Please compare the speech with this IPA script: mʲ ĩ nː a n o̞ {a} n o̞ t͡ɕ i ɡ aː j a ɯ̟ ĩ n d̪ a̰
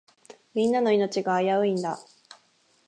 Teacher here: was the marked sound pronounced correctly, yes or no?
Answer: no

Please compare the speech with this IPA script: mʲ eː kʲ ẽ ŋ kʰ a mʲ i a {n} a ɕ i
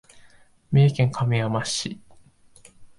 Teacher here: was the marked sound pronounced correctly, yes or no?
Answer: no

